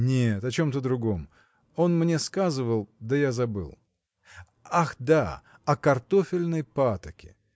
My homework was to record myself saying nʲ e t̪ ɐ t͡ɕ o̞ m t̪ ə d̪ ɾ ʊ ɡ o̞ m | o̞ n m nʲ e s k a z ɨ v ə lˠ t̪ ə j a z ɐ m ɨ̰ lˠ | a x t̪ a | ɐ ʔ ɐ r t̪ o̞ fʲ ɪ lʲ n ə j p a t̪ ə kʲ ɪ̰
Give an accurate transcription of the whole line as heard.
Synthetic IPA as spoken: nʲ e t̪ ɐ t͡ɕ o̞ m t̪ ə d̪ ɾ ʊ ɡ o̞ m | o̞ n m nʲ e s k a z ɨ v ə lˠ d̪ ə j a z ɐ b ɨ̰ lˠ | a x d̪ a | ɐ k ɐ r t̪ o̞ fʲ ɪ lʲ n ə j p a t̪ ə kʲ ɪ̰